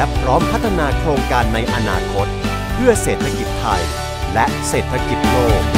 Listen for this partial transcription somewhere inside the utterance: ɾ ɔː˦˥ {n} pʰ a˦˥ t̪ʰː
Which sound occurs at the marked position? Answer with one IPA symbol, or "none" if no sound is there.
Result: m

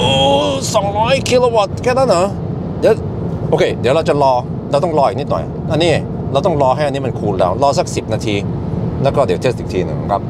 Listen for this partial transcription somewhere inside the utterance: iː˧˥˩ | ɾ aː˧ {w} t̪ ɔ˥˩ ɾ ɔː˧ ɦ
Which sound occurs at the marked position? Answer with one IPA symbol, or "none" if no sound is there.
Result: w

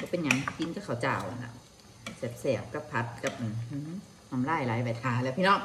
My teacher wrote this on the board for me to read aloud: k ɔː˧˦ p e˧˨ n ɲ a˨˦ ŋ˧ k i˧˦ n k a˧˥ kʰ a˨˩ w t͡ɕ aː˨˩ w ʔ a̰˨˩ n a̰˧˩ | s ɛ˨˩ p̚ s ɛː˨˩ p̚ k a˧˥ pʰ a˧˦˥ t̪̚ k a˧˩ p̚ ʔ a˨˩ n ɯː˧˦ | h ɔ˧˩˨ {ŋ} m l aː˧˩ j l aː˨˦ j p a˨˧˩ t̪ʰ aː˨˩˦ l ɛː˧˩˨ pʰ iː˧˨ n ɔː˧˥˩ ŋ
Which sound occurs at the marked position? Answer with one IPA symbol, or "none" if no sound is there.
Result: none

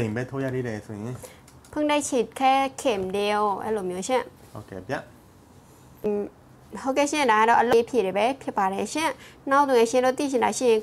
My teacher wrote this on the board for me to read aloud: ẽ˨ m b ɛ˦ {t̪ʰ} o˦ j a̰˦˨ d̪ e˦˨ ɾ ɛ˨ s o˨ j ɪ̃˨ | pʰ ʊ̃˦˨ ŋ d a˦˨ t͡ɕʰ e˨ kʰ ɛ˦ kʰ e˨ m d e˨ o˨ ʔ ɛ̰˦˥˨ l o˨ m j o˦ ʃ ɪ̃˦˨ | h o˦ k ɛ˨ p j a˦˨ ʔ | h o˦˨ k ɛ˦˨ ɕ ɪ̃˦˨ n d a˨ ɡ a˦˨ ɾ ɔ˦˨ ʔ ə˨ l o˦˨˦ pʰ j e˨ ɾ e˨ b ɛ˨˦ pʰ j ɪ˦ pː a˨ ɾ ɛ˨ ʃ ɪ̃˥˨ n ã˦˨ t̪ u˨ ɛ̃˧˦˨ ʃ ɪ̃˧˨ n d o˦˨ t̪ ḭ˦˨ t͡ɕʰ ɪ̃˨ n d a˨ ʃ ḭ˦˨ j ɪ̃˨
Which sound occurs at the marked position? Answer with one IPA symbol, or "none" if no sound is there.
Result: t̪ʰ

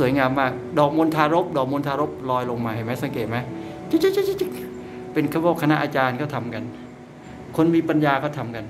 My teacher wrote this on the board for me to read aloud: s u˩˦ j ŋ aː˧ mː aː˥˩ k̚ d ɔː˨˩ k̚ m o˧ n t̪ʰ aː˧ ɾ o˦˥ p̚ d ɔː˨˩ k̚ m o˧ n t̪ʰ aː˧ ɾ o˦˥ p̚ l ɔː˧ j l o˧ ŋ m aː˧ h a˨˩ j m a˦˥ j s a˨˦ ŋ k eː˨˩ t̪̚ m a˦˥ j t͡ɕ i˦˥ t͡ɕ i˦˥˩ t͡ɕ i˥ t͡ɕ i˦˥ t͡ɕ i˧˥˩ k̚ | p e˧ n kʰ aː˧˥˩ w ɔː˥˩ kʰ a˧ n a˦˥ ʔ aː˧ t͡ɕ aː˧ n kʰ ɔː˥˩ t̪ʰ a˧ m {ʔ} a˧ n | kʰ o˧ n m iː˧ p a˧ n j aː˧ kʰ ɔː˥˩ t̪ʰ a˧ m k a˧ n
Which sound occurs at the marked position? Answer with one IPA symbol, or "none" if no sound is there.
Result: k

